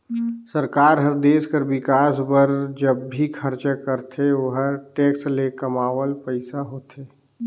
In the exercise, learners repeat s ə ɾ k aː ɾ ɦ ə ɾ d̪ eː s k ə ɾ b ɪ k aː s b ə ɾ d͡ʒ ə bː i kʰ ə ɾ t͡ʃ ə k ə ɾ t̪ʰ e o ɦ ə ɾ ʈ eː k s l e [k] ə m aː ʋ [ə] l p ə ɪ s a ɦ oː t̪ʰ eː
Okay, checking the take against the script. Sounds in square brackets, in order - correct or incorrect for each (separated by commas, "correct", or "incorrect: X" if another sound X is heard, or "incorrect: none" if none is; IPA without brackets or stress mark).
correct, correct